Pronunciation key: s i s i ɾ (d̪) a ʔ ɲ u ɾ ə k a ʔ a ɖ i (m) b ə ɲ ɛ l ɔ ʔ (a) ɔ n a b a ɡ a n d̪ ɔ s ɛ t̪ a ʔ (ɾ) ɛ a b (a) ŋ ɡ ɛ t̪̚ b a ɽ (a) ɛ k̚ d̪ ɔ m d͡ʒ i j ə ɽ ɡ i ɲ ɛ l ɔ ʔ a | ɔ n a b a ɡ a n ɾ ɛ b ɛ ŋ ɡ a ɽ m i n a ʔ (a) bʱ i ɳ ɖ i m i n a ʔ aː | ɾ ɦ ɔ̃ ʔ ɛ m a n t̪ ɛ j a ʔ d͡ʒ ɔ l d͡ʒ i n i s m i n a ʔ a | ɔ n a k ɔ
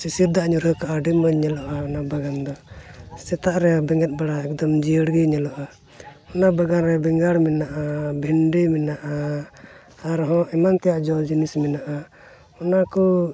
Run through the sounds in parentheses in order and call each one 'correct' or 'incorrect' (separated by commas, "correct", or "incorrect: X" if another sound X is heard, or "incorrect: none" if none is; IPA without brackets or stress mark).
correct, correct, correct, correct, incorrect: ɛ, correct, correct